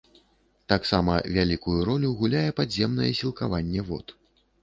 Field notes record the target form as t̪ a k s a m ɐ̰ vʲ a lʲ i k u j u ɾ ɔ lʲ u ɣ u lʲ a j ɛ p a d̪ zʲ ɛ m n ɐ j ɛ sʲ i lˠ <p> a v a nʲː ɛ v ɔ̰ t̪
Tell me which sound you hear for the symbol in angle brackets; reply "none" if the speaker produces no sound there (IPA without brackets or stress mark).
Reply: k